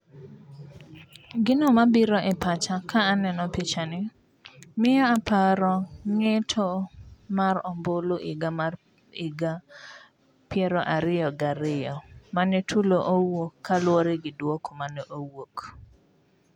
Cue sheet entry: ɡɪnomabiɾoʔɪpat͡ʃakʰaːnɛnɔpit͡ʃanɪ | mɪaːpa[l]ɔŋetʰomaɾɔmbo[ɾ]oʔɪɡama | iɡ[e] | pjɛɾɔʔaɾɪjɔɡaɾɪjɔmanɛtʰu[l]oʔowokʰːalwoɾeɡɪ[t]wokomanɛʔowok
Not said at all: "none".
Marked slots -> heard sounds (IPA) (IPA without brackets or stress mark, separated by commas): ɾ, l, a, l, d